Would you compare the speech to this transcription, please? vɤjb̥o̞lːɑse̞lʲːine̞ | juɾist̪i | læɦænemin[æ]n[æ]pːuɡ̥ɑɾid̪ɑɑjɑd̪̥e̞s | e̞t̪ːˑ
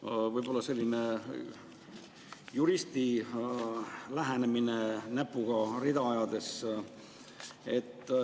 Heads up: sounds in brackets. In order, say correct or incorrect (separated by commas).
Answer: incorrect, correct